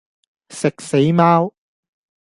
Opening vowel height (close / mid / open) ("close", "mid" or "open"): close